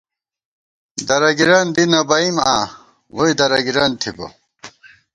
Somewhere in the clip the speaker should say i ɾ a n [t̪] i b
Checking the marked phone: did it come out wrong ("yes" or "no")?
yes